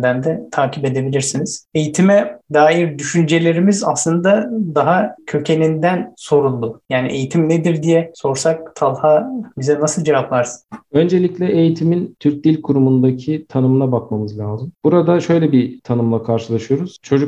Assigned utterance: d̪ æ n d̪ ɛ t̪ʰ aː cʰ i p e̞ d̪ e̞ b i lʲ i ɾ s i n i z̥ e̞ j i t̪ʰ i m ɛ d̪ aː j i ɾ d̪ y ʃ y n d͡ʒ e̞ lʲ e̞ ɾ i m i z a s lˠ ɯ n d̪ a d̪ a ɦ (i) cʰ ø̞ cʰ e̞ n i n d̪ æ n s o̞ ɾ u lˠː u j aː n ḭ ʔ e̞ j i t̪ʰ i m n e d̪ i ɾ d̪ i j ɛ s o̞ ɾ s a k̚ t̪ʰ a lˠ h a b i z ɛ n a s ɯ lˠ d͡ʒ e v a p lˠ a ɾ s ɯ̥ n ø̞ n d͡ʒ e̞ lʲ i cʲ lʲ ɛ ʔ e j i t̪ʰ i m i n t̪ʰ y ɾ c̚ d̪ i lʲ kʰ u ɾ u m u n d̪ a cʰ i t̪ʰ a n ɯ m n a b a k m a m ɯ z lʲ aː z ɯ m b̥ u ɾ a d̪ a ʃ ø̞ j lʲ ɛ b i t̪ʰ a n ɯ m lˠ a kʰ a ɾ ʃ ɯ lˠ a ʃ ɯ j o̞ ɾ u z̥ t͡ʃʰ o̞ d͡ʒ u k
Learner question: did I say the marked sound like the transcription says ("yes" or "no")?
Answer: no